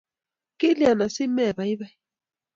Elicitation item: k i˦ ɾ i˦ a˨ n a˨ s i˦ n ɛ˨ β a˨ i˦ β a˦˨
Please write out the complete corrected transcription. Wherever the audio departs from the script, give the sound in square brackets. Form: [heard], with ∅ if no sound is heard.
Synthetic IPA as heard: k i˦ [l] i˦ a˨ n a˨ s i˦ [m] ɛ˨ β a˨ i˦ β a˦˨